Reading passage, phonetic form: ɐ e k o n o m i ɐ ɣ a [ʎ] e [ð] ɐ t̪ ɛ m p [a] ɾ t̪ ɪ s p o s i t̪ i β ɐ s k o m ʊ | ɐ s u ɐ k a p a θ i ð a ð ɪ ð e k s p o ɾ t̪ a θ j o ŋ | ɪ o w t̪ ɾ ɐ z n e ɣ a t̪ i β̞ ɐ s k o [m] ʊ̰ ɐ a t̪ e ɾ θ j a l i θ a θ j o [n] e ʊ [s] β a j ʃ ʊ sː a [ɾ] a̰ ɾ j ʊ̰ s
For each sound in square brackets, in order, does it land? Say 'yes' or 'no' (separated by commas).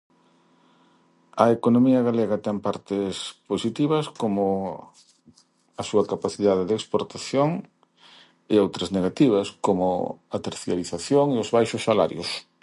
no, no, yes, yes, no, no, no